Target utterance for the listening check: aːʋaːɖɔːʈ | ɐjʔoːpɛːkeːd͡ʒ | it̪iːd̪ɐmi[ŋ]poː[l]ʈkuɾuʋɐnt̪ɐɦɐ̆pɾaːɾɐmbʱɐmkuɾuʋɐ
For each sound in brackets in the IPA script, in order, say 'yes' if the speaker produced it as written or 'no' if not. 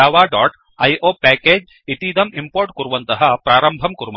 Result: no, no

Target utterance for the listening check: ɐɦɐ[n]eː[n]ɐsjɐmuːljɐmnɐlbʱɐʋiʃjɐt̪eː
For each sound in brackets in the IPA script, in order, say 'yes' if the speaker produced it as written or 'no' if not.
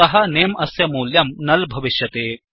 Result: yes, no

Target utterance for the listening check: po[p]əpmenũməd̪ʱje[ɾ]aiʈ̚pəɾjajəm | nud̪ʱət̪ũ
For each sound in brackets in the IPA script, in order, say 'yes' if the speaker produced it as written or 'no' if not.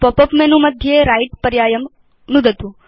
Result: yes, yes

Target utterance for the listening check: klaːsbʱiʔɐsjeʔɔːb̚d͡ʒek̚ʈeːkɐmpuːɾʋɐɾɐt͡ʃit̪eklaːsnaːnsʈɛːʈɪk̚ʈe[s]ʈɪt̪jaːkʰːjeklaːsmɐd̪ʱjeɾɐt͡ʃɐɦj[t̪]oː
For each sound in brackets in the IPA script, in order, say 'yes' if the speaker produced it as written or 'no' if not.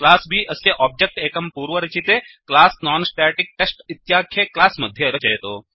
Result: yes, yes

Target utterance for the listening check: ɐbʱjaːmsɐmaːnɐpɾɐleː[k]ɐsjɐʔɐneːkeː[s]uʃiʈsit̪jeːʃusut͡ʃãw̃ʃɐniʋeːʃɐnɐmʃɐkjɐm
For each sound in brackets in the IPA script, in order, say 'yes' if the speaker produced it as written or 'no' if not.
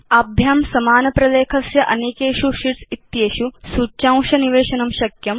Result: no, no

